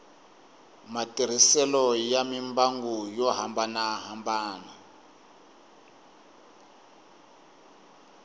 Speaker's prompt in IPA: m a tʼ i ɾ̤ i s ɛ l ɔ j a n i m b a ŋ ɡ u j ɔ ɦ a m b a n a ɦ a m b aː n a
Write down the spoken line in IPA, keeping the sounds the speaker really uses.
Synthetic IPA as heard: m a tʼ i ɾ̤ i s ɛ l ɔ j a m i m b a ŋ ɡ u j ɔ ɦ a m b a n a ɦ a m b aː n a